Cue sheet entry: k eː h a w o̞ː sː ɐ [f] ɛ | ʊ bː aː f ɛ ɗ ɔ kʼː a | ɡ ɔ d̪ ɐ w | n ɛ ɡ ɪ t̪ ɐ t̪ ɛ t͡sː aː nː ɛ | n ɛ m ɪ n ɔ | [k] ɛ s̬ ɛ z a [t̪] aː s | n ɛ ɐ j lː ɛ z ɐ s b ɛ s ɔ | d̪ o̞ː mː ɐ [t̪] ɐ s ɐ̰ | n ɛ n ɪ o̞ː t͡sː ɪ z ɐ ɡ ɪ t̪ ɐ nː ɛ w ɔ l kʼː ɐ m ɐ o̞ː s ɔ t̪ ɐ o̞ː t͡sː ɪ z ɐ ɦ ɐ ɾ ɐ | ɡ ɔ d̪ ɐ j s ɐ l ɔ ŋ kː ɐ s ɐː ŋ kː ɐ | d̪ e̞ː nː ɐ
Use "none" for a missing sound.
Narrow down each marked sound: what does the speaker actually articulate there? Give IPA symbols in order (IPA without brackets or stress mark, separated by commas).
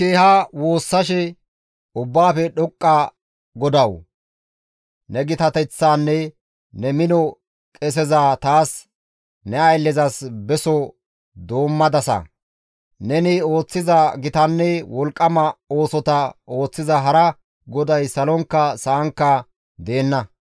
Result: ʃ, kʼ, t̪, d̪